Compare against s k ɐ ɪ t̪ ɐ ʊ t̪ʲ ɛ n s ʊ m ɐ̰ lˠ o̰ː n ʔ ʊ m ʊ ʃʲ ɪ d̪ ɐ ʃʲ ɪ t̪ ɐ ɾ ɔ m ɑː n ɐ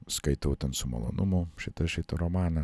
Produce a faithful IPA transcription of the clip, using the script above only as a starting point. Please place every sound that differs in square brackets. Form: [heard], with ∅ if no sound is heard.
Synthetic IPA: s k ɐ ɪ t̪ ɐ ʊ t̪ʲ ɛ n s ʊ m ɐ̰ lˠ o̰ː n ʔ ʊ m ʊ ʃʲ ɪ [t̪] ɐ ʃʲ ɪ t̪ ɐ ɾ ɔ m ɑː n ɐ